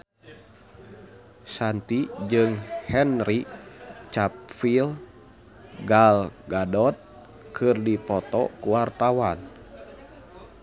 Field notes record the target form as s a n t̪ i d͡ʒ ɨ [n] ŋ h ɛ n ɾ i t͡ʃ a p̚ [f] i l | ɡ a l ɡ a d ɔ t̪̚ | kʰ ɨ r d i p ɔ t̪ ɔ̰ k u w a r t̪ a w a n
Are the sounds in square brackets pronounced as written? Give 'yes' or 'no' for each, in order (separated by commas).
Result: no, yes